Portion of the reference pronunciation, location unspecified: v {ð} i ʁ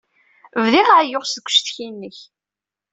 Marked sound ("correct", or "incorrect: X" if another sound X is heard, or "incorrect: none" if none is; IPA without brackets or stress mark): correct